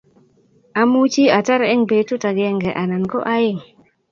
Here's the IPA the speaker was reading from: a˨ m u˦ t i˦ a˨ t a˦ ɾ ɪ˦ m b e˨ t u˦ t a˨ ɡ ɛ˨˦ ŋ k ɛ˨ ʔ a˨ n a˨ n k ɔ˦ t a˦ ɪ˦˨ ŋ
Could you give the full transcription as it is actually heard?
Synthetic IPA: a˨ m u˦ t͡ʃ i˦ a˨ t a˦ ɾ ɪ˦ ŋ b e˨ t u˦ t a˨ ɡ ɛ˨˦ ŋ ɡ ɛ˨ ʔ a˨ n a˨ n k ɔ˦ ʔ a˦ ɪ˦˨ ŋ